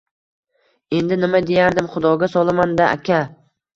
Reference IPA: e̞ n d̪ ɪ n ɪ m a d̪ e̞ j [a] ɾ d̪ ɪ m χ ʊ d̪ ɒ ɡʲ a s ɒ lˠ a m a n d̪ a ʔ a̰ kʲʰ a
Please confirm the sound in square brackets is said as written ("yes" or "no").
yes